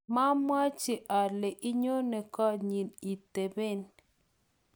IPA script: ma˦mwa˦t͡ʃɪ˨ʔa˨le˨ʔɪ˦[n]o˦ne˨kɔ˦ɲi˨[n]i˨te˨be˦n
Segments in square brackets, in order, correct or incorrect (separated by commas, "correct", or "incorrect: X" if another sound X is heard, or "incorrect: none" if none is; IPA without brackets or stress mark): incorrect: ɲ, correct